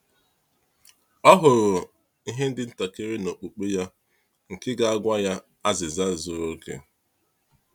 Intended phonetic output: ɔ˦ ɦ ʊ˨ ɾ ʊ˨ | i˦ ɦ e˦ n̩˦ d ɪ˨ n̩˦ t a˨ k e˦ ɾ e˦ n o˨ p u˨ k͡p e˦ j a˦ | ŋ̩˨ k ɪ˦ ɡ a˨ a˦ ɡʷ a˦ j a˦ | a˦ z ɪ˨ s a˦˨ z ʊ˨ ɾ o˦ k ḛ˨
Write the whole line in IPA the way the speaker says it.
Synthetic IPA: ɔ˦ ɦ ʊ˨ ɾ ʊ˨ | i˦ ɦ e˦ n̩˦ d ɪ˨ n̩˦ t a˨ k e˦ ɾ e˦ n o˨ k͡p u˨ k͡p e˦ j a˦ | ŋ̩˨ k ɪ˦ ɡ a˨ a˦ ɡʷ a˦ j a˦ | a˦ z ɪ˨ z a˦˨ z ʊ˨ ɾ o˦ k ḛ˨

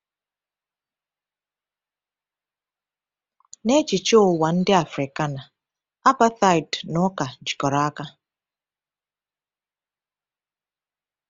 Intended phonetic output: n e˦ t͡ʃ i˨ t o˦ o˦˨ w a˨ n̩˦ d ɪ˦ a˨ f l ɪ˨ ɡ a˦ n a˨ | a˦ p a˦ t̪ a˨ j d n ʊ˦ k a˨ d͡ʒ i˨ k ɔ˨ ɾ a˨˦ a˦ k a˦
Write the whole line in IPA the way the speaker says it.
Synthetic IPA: n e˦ t͡ʃ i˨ t͡ʃ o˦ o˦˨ w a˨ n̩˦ d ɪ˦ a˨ f ɾ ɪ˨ k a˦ n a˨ | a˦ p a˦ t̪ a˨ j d n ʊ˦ k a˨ d͡ʒ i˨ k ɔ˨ ɾ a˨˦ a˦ k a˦

